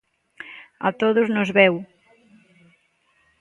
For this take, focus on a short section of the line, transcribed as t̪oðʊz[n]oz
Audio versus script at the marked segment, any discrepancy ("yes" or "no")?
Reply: no